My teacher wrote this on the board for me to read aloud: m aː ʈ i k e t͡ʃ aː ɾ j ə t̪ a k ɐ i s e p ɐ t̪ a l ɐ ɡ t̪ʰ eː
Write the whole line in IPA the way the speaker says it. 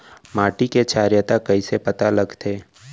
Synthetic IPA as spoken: m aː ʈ i k e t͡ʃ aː ɾ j ə t̪ a k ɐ i s e p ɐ t̪ a l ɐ ɡ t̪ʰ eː